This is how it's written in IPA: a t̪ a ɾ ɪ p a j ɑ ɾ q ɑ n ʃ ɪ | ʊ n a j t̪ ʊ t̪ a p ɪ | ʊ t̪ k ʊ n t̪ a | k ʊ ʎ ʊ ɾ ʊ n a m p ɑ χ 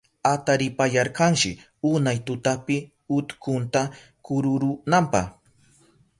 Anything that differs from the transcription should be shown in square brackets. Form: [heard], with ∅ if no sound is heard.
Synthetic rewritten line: a t̪ a ɾ ɪ p a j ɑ ɾ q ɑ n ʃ ɪ | ʊ n a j t̪ ʊ t̪ a p ɪ | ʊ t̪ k ʊ n t̪ a | k ʊ [ɾ] ʊ ɾ ʊ n a m p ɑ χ